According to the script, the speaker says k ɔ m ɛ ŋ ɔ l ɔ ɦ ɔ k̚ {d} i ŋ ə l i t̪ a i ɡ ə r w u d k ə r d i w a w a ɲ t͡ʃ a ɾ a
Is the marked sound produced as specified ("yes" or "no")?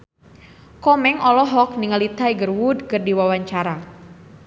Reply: no